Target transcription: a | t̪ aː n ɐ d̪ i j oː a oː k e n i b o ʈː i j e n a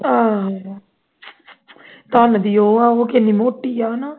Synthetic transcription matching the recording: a | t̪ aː n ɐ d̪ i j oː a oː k e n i m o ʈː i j a n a